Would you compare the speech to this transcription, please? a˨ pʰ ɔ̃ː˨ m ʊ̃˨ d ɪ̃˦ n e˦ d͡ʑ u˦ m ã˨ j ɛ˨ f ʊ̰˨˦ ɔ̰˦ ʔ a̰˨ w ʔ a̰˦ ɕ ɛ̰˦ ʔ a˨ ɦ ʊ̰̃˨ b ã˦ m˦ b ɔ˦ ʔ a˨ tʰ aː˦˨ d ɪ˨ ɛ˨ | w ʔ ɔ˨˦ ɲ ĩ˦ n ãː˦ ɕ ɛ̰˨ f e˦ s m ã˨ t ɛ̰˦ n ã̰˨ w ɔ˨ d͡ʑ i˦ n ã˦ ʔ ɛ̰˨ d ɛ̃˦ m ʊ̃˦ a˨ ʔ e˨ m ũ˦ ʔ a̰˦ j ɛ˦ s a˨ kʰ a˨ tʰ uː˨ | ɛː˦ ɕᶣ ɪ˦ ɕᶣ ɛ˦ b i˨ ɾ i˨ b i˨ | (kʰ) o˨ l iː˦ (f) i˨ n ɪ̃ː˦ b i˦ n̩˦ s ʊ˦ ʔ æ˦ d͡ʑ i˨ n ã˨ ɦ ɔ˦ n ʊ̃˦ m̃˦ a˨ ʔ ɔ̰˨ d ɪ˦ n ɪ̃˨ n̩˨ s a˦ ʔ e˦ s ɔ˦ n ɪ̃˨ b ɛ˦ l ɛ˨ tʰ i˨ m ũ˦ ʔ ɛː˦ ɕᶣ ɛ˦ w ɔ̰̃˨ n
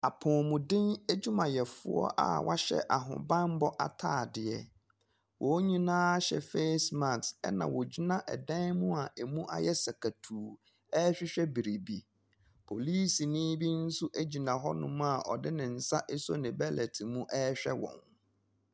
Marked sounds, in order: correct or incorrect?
incorrect, incorrect

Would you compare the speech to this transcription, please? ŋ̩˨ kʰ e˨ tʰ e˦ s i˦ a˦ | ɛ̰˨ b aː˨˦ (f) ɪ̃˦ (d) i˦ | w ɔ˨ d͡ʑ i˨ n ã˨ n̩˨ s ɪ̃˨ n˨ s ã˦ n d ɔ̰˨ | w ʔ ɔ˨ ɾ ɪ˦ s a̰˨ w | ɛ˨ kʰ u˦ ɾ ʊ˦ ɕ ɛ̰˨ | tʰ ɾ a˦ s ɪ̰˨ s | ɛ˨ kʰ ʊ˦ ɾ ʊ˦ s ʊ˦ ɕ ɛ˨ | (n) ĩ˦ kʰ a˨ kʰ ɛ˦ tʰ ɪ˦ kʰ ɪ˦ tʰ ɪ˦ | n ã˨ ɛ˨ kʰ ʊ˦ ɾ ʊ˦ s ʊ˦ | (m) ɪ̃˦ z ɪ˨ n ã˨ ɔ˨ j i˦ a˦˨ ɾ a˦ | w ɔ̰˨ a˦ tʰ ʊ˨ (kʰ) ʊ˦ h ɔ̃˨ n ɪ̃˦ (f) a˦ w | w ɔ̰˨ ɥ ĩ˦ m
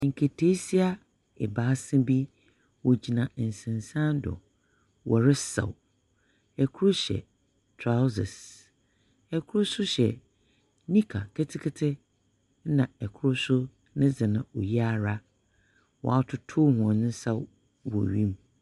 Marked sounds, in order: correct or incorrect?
incorrect, incorrect, correct, incorrect, incorrect, incorrect

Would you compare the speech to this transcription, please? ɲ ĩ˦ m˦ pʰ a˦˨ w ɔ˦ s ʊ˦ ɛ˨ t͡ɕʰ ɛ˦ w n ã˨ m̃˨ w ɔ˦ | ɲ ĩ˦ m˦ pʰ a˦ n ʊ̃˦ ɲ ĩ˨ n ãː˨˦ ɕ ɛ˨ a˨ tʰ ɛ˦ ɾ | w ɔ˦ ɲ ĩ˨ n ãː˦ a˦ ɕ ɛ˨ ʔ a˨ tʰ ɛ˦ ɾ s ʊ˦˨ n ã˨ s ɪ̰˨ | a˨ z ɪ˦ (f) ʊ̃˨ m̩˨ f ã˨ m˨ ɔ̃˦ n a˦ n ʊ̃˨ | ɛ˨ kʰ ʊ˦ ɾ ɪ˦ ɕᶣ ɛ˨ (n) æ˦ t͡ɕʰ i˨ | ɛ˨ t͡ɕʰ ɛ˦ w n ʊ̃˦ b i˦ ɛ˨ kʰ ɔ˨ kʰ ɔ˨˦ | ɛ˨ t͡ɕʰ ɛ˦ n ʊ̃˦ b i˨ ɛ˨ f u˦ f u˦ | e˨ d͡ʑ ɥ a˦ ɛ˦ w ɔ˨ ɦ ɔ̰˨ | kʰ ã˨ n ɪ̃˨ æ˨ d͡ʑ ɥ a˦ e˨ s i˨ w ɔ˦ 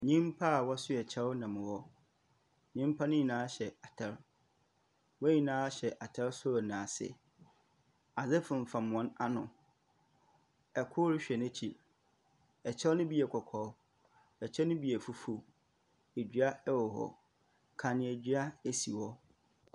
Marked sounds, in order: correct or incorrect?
correct, correct

